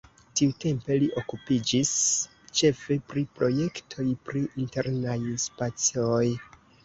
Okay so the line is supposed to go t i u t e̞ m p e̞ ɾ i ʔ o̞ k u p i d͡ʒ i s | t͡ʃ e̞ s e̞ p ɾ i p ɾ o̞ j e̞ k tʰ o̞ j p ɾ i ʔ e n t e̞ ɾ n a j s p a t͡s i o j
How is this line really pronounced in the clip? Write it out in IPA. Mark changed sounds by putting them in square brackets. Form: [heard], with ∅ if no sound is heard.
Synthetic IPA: t i u t e̞ m p e̞ [l] i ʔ o̞ k u p i d͡ʒ i s | t͡ʃ e̞ [f] e̞ p ɾ i p ɾ o̞ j e̞ k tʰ o̞ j p ɾ i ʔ [i] n t e̞ ɾ n a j s p a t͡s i o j

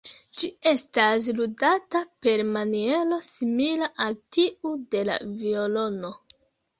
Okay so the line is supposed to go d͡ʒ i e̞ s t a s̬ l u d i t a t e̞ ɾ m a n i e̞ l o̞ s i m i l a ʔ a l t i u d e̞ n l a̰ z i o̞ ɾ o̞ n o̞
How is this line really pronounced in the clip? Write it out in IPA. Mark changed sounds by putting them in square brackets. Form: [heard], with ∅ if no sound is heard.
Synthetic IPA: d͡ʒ i e̞ s t a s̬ l u d [a] t a [p] e̞ ɾ m a n i e̞ l o̞ s i m i l a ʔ a l t i u d e̞ [∅] l a̰ [v] i o̞ [l] o̞ n o̞

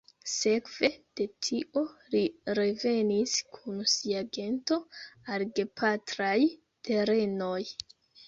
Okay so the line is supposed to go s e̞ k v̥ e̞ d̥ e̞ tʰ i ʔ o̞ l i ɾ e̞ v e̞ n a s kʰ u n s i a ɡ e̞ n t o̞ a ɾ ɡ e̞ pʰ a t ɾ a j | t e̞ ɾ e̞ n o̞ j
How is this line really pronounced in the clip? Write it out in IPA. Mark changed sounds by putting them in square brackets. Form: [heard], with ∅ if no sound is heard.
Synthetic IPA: s e̞ k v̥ e̞ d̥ e̞ tʰ i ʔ o̞ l i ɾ e̞ v e̞ n [i] s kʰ u n s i a ɡ e̞ n t o̞ a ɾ ɡ e̞ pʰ a t ɾ a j | t e̞ ɾ e̞ n o̞ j

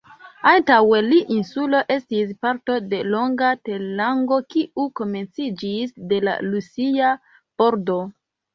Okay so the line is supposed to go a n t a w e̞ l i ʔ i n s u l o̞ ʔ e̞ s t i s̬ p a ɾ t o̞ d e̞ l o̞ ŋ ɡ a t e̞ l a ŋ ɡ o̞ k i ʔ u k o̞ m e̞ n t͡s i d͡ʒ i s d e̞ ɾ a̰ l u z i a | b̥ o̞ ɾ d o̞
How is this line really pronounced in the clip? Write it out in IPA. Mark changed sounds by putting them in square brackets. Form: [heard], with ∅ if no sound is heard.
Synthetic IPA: a n t a w e̞ l i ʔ i n s u l o̞ ʔ e̞ s t i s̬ p a ɾ t o̞ d e̞ l o̞ ŋ ɡ a t e̞ l a ŋ ɡ o̞ k i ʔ u k o̞ m e̞ n t͡s i d͡ʒ i s d e̞ [l] a̰ l u [s] i a | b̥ o̞ ɾ d o̞

